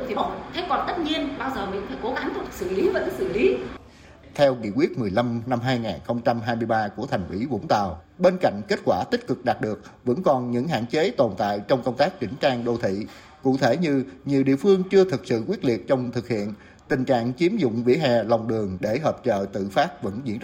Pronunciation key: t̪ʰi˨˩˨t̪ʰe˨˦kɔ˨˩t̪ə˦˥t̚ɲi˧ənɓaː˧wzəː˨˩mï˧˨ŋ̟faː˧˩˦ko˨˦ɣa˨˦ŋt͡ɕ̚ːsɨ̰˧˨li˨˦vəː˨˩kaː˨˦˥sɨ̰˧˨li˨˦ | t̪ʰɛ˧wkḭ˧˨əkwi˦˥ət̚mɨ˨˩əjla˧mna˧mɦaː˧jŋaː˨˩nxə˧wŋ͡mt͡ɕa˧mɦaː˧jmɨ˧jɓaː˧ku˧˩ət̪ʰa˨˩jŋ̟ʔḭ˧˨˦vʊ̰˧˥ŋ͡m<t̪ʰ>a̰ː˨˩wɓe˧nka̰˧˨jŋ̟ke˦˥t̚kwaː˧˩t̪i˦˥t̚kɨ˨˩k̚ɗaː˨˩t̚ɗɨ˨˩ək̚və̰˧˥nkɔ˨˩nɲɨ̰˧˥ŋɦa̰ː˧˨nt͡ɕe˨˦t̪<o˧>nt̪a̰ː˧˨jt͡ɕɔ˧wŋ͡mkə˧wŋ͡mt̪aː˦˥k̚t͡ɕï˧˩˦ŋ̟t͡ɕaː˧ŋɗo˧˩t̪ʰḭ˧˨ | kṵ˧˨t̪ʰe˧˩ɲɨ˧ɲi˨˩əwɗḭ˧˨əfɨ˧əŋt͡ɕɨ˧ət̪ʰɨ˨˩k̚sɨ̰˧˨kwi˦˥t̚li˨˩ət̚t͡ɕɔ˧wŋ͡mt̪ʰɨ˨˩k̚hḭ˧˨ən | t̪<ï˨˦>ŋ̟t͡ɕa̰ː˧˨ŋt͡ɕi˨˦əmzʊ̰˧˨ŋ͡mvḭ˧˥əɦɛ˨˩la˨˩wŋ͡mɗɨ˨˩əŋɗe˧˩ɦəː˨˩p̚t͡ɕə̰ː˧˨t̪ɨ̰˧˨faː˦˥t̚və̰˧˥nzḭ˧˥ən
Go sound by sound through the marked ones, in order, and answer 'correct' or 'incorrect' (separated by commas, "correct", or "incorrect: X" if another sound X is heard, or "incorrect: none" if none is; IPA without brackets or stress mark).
incorrect: t̪, incorrect: o˨˩, incorrect: ï˨˩